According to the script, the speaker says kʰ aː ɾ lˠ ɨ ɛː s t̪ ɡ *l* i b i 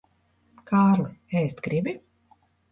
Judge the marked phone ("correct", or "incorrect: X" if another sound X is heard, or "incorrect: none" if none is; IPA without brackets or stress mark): incorrect: ɾ